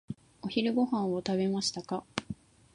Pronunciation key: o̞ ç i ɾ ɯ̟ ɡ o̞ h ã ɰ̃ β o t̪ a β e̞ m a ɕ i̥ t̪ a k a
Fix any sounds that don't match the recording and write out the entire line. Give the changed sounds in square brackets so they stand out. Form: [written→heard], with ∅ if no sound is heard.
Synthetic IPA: o̞ ç i ɾ ɯ̟ ɡ o̞ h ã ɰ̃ β o t̪ a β e̞ m a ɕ i̥ t̪ a k a